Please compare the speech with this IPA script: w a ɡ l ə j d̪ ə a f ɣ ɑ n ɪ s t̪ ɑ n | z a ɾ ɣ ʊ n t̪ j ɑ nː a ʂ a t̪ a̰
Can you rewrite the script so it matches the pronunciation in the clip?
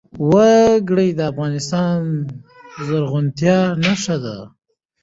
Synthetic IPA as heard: w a ɡ ɽ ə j d̪ ə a f ɣ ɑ n ɪ s t̪ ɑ n | z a ɾ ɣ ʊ n t̪ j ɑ n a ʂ a d̪ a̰